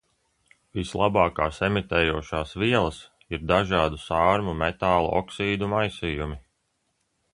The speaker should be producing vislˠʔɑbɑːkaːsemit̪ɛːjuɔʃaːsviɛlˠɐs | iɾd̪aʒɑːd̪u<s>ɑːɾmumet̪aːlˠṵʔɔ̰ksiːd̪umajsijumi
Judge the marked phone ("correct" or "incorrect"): correct